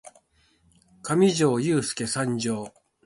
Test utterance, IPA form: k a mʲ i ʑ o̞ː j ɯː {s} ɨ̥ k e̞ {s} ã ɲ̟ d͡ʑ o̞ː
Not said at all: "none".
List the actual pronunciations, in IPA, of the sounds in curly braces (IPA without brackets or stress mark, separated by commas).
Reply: s, s